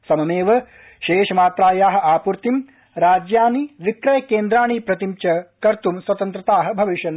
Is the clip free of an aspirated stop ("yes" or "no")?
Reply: yes